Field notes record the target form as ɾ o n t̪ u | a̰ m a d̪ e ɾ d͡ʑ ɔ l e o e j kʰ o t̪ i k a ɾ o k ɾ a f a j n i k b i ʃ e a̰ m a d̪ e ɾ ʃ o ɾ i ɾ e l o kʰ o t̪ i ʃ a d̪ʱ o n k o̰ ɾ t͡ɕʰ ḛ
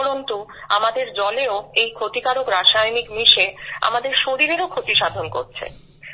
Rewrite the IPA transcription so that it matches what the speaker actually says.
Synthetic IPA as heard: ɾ o n t̪ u | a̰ m a d̪ e ɾ d͡ʑ ɔ l e o e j kʰ o t̪ i k a ɾ o k ɾ a ʃ a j n i k m i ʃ e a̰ m a d̪ e ɾ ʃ o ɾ i ɾ e ɾ o kʰ o t̪ i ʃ a d̪ʱ o n k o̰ ɾ t͡ɕʰ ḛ